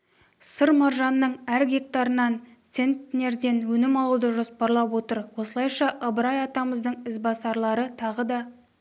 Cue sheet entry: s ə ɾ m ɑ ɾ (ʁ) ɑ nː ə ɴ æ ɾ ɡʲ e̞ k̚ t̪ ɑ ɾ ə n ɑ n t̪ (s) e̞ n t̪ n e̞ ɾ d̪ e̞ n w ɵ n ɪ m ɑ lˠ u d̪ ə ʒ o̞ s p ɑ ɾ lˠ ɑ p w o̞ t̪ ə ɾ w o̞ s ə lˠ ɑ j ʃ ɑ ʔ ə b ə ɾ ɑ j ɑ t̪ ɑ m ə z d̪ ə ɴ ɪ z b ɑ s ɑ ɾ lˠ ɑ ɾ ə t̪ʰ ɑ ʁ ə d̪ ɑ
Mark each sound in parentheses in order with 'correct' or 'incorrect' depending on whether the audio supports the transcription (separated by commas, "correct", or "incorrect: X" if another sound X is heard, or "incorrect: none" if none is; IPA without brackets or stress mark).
incorrect: ʒ, correct